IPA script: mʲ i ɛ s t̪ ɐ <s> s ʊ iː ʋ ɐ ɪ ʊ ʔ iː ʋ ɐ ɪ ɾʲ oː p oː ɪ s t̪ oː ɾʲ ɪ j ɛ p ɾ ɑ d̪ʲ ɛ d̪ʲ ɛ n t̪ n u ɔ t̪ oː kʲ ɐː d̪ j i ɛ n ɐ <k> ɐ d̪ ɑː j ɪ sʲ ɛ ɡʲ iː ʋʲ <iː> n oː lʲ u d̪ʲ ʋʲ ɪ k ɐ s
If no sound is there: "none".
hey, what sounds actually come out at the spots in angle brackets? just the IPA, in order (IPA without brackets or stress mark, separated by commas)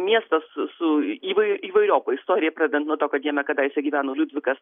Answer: s, k, æː